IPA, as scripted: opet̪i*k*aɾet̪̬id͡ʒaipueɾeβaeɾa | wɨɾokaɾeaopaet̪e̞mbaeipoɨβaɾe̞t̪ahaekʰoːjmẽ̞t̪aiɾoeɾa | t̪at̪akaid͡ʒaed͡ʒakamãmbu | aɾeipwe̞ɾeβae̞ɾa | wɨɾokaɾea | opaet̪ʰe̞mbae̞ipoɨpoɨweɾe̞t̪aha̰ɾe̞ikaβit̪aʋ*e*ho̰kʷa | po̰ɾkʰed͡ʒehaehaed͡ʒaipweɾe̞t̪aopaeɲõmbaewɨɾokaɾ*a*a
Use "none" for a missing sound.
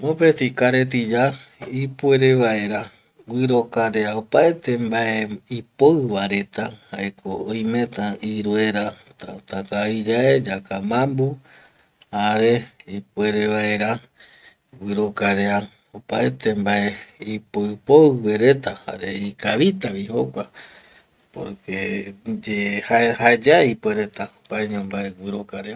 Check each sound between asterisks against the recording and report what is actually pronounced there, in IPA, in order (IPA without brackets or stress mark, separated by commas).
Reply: k, i, e